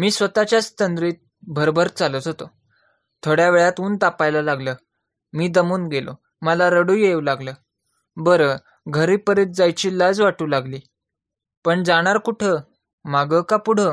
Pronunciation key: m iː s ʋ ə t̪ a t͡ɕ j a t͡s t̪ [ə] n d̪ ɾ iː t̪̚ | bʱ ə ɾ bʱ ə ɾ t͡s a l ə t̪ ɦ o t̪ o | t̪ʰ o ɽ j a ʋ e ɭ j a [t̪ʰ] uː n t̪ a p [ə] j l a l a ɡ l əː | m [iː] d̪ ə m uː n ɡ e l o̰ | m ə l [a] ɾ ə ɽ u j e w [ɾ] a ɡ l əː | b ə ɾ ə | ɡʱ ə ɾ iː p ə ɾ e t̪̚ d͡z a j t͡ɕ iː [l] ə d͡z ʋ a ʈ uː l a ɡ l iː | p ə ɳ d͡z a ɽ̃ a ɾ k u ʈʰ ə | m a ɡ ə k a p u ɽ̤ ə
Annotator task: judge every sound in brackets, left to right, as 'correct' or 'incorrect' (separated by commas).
correct, incorrect, incorrect, correct, correct, incorrect, correct